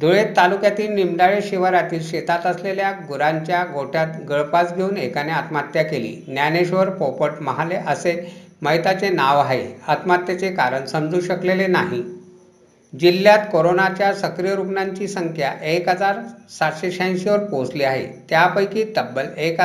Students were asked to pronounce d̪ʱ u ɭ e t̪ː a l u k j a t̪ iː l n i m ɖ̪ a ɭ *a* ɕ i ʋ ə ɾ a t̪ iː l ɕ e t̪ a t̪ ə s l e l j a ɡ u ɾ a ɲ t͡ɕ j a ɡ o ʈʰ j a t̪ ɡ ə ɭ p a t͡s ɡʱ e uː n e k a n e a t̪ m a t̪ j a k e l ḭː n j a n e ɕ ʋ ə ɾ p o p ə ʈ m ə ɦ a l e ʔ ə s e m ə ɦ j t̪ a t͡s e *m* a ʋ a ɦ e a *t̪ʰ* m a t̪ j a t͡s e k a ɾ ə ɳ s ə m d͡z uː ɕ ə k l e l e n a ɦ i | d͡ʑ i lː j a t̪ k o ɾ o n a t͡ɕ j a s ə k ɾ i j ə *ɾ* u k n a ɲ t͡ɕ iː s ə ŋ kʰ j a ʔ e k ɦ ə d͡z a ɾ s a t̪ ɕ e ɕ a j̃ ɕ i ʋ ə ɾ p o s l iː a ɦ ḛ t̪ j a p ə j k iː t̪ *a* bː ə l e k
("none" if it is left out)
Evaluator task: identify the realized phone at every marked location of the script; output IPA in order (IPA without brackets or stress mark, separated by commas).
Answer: e, n, t̪, ɾ, ə